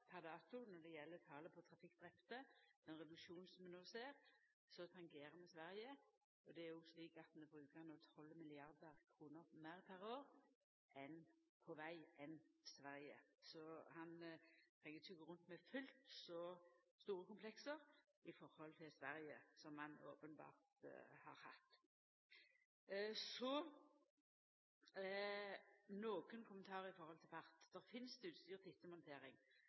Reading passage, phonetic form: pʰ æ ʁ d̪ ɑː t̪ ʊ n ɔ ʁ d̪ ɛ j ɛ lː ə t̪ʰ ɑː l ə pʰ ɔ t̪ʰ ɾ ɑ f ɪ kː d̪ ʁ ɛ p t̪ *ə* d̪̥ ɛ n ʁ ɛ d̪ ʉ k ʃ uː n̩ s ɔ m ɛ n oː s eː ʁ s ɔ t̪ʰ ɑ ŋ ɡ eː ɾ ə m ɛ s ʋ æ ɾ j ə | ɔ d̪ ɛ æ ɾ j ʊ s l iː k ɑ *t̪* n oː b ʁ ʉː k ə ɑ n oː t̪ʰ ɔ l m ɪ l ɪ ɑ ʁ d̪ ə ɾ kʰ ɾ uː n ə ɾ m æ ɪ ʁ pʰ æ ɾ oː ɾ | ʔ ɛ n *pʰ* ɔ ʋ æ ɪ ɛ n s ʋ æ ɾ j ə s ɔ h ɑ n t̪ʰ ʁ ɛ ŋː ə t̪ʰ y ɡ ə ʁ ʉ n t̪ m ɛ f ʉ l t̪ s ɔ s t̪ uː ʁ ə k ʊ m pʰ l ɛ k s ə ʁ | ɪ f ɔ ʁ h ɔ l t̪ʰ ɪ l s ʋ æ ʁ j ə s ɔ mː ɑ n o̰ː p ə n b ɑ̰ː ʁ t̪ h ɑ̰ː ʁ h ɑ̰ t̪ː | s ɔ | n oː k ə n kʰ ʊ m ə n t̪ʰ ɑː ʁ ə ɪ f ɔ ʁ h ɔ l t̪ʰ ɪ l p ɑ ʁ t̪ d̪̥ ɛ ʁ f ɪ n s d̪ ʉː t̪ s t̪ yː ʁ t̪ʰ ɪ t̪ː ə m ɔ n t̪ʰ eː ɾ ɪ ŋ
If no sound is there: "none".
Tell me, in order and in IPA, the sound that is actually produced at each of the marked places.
ə, t̪, pʰ

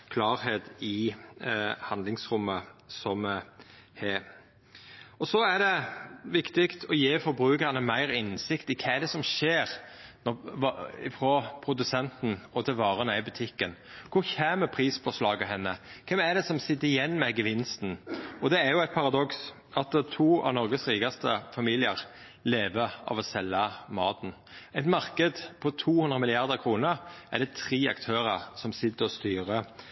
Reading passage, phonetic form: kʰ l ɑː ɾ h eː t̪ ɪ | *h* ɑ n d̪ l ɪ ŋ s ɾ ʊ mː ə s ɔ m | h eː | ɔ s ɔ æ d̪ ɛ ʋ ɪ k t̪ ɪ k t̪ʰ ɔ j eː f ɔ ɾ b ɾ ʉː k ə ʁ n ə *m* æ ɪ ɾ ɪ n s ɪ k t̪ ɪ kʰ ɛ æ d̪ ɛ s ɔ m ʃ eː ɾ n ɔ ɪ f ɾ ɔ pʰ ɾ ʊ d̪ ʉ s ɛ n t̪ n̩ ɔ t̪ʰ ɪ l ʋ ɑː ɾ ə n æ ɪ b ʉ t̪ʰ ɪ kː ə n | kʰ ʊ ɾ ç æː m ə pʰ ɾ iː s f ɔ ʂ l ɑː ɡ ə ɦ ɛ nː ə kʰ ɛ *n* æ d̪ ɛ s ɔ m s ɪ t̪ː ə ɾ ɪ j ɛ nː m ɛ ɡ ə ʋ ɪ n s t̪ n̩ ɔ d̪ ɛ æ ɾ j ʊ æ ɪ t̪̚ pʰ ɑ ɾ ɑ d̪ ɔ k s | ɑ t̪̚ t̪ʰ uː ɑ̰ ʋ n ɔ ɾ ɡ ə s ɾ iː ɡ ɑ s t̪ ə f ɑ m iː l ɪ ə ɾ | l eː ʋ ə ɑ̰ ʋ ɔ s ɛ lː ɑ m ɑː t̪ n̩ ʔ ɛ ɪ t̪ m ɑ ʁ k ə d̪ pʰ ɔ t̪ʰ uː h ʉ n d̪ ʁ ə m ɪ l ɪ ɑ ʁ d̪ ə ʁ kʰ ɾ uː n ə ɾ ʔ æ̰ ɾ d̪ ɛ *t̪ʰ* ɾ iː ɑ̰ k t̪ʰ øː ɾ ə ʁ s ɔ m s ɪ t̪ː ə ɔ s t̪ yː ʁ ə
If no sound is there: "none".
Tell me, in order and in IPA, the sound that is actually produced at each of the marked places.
h, m, m, t̪ʰ

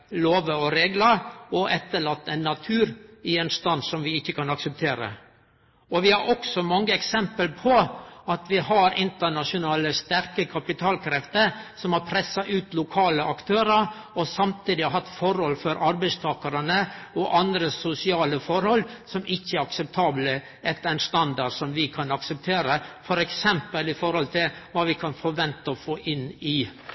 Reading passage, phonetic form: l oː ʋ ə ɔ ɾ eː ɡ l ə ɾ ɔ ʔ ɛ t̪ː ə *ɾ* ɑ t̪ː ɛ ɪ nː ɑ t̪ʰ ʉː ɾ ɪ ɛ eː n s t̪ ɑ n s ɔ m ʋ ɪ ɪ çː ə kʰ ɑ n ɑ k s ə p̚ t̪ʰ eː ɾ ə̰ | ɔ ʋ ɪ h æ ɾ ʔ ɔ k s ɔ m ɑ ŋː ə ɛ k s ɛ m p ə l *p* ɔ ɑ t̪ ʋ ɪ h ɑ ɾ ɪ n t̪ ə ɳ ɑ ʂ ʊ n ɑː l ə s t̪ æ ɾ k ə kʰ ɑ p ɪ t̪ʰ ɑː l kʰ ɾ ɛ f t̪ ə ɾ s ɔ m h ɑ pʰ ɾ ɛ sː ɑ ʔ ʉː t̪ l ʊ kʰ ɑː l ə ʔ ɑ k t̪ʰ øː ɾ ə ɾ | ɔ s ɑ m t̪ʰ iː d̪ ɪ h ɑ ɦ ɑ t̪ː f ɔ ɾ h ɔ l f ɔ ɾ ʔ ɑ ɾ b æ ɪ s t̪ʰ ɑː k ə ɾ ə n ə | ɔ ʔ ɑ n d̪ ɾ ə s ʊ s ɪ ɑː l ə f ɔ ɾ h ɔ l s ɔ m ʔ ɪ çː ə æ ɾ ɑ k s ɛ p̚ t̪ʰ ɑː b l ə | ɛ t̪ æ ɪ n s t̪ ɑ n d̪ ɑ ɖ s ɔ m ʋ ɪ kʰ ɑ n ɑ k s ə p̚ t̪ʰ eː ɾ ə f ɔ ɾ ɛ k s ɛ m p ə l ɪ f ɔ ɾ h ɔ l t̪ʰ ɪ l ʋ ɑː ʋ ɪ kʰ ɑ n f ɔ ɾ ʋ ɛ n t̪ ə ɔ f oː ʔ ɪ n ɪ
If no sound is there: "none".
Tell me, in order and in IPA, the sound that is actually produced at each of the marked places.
ɭ, pʰ

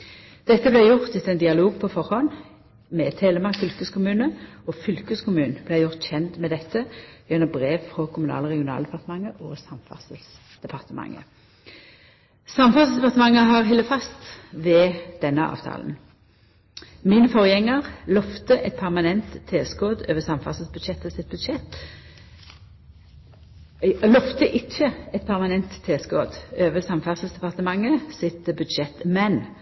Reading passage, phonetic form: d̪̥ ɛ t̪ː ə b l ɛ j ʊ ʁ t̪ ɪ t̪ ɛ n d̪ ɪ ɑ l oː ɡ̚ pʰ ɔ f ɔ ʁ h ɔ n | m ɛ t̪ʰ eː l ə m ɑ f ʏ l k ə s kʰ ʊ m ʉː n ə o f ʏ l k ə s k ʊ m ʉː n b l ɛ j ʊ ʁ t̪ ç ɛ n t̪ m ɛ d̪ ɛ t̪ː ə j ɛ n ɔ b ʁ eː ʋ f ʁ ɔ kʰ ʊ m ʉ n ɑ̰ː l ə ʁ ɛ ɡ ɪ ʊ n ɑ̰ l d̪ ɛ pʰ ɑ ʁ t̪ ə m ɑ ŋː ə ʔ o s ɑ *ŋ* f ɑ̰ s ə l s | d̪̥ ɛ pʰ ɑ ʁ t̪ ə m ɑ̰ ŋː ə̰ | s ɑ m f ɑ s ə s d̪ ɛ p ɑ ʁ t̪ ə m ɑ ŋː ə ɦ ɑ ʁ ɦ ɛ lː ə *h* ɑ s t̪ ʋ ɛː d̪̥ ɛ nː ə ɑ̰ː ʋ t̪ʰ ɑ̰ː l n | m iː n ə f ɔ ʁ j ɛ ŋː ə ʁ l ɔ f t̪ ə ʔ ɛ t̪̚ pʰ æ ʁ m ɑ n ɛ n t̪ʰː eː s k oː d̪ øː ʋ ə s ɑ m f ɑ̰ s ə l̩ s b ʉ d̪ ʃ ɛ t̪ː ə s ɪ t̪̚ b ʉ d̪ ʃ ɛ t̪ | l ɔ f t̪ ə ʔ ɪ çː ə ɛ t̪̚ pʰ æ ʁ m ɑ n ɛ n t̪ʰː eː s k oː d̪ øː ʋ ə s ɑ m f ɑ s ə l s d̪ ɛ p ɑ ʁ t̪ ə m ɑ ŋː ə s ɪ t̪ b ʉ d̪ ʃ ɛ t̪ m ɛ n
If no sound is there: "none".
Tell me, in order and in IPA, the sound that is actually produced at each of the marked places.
m, f

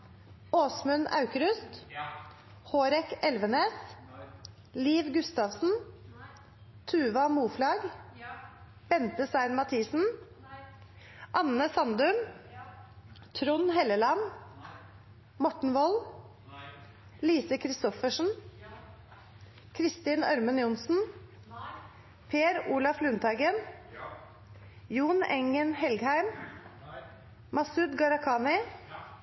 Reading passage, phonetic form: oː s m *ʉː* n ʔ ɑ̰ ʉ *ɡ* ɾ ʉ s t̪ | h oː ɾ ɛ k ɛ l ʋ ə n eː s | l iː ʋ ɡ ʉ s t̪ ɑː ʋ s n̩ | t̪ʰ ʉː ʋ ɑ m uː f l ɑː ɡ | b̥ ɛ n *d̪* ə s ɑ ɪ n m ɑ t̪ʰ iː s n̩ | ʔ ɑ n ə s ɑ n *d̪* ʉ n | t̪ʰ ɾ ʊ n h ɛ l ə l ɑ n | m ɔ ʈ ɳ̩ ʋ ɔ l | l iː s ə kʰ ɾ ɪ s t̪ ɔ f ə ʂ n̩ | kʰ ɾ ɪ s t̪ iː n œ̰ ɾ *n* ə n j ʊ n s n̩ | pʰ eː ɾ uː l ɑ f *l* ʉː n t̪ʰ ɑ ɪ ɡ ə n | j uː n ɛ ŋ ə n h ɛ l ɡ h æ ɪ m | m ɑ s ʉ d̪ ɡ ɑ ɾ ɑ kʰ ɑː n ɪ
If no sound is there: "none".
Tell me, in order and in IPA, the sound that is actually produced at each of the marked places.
ʉ, k, t̪, d̪, m, l

